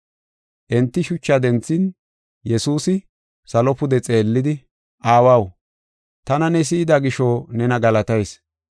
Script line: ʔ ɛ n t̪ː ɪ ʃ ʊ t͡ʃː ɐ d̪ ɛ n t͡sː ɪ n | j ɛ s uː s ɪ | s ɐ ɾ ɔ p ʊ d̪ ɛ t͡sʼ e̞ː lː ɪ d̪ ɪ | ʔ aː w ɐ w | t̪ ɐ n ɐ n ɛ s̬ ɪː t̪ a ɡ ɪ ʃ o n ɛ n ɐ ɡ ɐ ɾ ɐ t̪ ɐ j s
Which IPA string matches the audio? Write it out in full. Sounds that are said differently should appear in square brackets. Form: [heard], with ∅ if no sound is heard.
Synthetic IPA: ʔ ɛ n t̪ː ɪ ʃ ʊ t͡ʃː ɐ d̪ ɛ n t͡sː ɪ n | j ɛ s uː s ɪ | s ɐ [l] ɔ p ʊ d̪ ɛ t͡sʼ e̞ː lː ɪ d̪ ɪ | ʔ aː w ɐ w | t̪ ɐ n ɐ n ɛ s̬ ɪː [d̪] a ɡ ɪ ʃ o n ɛ n ɐ ɡ ɐ [l] ɐ t̪ ɐ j s

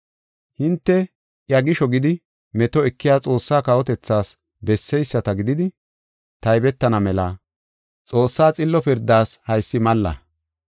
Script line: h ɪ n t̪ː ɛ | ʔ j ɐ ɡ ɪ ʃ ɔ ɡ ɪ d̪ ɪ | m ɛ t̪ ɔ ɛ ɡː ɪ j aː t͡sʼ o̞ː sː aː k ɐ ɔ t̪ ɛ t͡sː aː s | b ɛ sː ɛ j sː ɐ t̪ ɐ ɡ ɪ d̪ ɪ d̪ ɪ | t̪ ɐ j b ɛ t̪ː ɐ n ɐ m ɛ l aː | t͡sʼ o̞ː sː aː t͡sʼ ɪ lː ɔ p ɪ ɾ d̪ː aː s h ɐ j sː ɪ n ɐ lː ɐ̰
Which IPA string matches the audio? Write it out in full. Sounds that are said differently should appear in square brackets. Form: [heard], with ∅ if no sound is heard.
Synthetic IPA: h ɪ n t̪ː ɛ | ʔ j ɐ ɡ ɪ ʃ ɔ ɡ ɪ d̪ ɪ | m ɛ t̪ ɔ ɛ [kː] ɪ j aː t͡sʼ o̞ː sː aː k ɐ ɔ t̪ ɛ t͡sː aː s | b ɛ sː ɛ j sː ɐ t̪ ɐ ɡ ɪ d̪ ɪ d̪ ɪ | t̪ ɐ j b ɛ t̪ː ɐ n ɐ m ɛ l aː | t͡sʼ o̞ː sː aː t͡sʼ ɪ lː ɔ p ɪ ɾ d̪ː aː s h ɐ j sː ɪ [m] ɐ lː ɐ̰

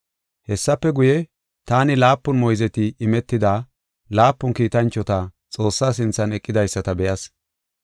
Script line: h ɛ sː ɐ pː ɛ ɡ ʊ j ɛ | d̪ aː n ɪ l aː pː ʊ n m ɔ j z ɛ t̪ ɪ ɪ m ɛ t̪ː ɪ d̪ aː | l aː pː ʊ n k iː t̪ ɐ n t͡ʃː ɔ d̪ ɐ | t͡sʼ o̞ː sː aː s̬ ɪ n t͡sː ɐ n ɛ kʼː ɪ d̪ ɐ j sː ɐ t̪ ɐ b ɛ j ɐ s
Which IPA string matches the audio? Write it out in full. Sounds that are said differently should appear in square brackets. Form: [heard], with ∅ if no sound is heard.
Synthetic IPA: h ɛ sː ɐ pː ɛ ɡ ʊ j ɛ | [t̪] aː n ɪ l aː pː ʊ n m ɔ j z ɛ t̪ ɪ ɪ m ɛ t̪ː ɪ d̪ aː | l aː pː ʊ n k iː t̪ ɐ n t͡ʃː ɔ [t̪] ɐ | t͡sʼ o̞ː sː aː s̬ ɪ n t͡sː ɐ n ɛ kʼː ɪ d̪ ɐ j sː ɐ t̪ ɐ b ɛ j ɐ s

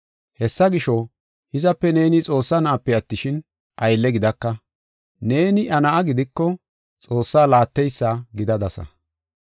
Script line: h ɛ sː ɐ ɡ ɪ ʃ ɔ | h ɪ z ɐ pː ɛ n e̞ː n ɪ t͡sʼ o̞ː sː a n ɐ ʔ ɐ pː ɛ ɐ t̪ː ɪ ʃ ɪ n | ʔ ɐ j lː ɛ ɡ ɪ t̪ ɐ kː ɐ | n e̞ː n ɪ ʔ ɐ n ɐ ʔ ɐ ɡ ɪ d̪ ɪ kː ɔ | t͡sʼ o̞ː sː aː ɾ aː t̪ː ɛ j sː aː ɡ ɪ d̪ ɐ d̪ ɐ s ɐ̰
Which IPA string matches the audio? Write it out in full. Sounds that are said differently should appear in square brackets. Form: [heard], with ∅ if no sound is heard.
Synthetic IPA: h ɛ sː ɐ ɡ ɪ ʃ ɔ | h ɪ z ɐ pː ɛ n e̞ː n ɪ t͡sʼ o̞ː sː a n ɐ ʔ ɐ pː ɛ ɐ t̪ː ɪ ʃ ɪ n | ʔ ɐ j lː ɛ ɡ ɪ [d̪] ɐ kː ɐ | n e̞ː n ɪ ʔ ɐ n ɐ ʔ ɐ ɡ ɪ d̪ ɪ kː ɔ | t͡sʼ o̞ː sː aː [l] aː t̪ː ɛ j sː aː ɡ ɪ d̪ ɐ d̪ ɐ s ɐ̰

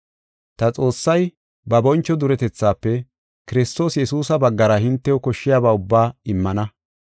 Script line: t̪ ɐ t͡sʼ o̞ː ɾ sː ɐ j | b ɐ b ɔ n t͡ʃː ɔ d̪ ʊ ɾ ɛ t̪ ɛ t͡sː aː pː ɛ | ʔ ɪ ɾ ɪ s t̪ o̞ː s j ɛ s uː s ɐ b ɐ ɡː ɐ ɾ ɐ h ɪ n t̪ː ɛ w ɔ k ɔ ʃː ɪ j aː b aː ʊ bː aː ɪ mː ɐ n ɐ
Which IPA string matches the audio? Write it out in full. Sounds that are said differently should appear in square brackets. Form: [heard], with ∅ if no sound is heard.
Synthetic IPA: t̪ ɐ t͡sʼ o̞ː [∅] sː ɐ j | b ɐ b ɔ n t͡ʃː ɔ d̪ ʊ ɾ ɛ t̪ ɛ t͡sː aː pː ɛ | [k] ɪ ɾ ɪ s t̪ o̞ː s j ɛ s uː s ɐ b ɐ ɡː ɐ ɾ ɐ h ɪ n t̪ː ɛ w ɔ k ɔ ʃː ɪ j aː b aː ʊ bː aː ɪ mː ɐ n ɐ

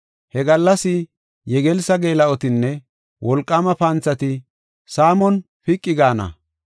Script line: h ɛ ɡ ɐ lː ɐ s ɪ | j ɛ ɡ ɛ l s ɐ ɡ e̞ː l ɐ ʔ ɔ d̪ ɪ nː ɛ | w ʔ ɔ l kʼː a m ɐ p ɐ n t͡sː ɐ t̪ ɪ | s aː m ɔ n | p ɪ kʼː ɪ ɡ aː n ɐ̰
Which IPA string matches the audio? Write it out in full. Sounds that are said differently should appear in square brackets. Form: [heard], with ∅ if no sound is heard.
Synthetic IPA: h ɛ ɡ ɐ lː ɐ s ɪ | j ɛ ɡ ɛ l s ɐ ɡ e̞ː l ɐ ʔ ɔ [t̪] ɪ nː ɛ | w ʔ ɔ l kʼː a m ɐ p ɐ n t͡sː ɐ t̪ ɪ | s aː m ɔ n | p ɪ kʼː ɪ ɡ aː n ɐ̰

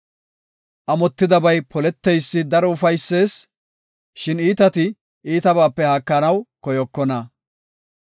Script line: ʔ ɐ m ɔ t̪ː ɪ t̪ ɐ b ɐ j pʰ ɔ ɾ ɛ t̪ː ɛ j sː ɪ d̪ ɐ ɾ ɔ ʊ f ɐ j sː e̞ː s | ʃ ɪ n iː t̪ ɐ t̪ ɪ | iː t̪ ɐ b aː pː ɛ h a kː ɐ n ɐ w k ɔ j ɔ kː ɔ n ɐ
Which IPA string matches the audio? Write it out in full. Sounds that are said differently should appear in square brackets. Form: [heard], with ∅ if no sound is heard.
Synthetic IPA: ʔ ɐ m ɔ t̪ː ɪ [d̪] ɐ b ɐ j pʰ ɔ [l] ɛ t̪ː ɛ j sː ɪ d̪ ɐ ɾ ɔ ʊ f ɐ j sː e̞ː s | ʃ ɪ n iː t̪ ɐ t̪ ɪ | iː t̪ ɐ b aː pː ɛ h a kː ɐ n ɐ w k ɔ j ɔ kː ɔ n ɐ

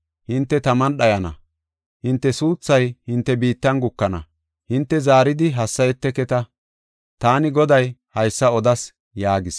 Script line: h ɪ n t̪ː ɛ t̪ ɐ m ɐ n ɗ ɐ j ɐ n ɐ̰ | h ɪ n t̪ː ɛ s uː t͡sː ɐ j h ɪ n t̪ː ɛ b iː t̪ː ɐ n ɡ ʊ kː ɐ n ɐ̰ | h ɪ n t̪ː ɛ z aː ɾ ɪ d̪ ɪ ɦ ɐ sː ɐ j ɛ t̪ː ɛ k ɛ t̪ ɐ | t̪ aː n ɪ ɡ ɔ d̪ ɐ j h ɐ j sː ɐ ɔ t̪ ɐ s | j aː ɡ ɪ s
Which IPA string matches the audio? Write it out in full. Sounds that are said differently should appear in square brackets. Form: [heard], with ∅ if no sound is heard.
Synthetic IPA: h ɪ n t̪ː ɛ t̪ ɐ m ɐ n ɗ ɐ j ɐ n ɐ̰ | h ɪ n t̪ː ɛ s uː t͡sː ɐ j h ɪ n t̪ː ɛ b iː t̪ː ɐ n ɡ ʊ kː ɐ n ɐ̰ | h ɪ n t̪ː ɛ z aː ɾ ɪ d̪ ɪ ɦ ɐ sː ɐ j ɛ t̪ː ɛ k ɛ t̪ ɐ | t̪ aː n ɪ ɡ ɔ d̪ ɐ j h ɐ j sː ɐ ɔ [d̪] ɐ s | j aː ɡ ɪ s

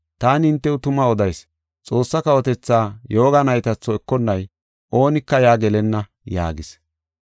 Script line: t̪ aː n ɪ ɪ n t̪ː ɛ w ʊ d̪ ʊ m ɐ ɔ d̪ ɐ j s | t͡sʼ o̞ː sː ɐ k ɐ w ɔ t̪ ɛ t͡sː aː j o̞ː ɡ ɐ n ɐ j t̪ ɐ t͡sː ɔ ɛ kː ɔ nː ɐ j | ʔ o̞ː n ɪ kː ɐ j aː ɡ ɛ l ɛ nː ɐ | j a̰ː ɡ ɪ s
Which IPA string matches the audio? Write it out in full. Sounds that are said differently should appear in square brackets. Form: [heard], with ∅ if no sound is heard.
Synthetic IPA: t̪ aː n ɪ ɪ n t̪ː ɛ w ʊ [t̪] ʊ m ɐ ɔ d̪ ɐ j s | t͡sʼ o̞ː sː ɐ k ɐ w ɔ t̪ ɛ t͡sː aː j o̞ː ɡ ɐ n ɐ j t̪ ɐ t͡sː ɔ ɛ kː ɔ nː ɐ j | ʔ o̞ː n ɪ kː ɐ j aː ɡ ɛ l ɛ nː ɐ | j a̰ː ɡ ɪ s

